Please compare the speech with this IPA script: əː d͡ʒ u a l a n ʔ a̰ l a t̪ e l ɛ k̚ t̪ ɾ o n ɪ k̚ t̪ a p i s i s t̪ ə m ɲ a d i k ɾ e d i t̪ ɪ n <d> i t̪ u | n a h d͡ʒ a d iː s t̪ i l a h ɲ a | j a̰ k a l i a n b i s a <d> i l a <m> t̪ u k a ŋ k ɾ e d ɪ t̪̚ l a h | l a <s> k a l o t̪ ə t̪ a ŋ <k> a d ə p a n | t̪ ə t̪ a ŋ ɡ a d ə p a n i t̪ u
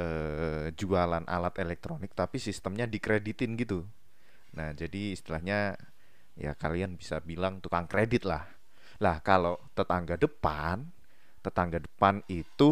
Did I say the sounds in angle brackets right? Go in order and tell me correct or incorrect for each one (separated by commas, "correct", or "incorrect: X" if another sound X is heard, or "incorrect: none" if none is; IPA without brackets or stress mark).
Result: incorrect: ɡ, incorrect: b, incorrect: ŋ, incorrect: h, incorrect: ɡ